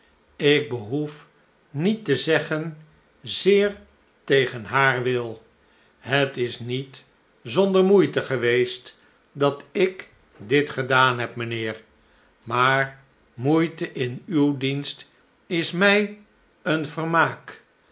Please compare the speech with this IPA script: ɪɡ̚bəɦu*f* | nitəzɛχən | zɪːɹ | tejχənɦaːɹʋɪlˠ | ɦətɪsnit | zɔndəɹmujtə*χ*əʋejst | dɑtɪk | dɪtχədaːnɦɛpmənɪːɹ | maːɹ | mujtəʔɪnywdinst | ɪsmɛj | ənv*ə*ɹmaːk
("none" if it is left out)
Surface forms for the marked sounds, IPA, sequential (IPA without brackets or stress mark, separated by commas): f, χ, ə